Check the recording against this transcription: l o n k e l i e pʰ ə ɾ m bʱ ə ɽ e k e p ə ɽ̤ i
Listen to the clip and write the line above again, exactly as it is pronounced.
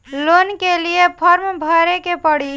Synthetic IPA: l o n k e l i e pʰ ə ɾ m bʱ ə ɾ e k e p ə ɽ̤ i